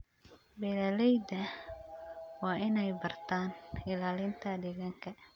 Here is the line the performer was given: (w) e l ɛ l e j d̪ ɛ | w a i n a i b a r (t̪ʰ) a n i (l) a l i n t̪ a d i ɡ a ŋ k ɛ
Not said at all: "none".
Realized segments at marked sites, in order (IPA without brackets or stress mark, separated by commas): b, t̪, l